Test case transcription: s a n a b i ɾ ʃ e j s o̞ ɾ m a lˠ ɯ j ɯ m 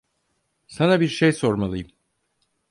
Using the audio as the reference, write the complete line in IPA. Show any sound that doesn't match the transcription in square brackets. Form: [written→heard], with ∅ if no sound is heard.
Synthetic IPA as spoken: s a n a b i ɾ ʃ e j s o̞ ɾ m a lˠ ɯ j ɯ m